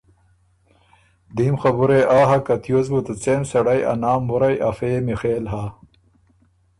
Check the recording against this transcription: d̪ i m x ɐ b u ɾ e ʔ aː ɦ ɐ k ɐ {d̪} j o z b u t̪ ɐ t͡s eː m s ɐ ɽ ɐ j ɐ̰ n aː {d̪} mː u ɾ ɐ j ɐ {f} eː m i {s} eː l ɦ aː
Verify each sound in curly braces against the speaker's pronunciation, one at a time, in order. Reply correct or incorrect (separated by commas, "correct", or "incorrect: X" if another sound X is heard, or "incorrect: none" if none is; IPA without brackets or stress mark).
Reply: incorrect: t̪, incorrect: none, correct, incorrect: x